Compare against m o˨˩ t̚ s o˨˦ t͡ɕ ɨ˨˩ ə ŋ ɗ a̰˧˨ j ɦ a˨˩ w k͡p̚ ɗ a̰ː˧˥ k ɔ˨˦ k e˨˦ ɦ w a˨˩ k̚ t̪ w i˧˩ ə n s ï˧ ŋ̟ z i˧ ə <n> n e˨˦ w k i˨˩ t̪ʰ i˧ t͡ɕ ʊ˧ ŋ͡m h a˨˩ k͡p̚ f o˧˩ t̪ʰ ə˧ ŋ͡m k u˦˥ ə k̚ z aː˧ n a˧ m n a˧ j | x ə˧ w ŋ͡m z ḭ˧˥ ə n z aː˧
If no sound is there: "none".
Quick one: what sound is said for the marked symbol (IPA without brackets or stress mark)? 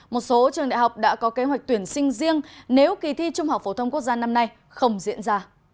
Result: ŋ